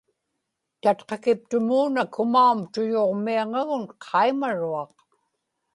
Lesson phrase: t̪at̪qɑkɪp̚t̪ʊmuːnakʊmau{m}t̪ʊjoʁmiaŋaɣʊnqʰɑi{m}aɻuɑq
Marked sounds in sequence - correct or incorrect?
correct, correct

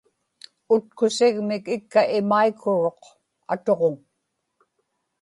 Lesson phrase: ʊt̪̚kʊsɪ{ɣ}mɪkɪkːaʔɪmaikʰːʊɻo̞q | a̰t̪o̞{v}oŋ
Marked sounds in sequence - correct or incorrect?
correct, incorrect: ʁ

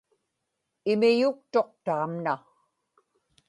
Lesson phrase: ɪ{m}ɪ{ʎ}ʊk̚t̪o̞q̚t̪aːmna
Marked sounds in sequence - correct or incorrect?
correct, incorrect: j

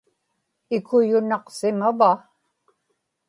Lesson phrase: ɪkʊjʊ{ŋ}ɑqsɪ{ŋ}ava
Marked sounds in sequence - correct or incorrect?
incorrect: n, incorrect: m

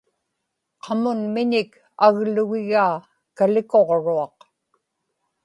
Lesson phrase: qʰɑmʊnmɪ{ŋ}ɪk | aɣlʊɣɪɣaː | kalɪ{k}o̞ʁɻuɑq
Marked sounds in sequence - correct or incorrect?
incorrect: ɲ, correct

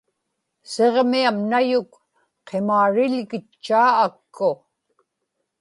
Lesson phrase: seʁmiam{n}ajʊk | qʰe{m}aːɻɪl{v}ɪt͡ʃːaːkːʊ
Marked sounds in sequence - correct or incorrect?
correct, correct, incorrect: ɣ

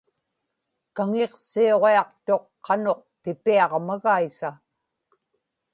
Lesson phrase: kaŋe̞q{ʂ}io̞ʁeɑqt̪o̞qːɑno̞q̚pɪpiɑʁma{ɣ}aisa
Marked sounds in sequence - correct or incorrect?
incorrect: s, correct

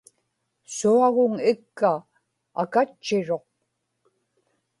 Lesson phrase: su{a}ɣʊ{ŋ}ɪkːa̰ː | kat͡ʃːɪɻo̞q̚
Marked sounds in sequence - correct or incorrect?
correct, correct

